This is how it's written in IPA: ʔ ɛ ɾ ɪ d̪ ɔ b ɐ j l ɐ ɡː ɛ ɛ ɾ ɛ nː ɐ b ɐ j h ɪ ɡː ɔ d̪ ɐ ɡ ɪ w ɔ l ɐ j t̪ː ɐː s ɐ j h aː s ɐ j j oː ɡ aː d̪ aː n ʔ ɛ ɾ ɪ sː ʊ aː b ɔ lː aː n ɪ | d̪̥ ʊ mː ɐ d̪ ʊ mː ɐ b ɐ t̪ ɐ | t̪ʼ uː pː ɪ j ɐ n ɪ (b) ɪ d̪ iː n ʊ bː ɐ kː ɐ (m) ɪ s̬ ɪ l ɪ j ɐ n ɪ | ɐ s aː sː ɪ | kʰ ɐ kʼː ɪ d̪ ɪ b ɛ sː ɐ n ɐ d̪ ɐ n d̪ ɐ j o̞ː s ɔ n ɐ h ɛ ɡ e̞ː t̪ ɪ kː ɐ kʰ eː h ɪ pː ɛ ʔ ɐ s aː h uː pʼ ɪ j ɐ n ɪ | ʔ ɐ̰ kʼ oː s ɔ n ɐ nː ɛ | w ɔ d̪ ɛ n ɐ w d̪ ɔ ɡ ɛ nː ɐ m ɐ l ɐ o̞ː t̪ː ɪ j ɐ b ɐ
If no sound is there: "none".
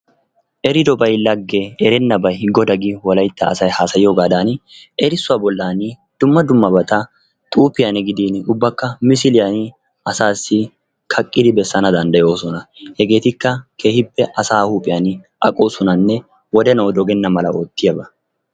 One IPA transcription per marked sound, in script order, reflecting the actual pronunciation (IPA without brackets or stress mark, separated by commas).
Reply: ɡ, m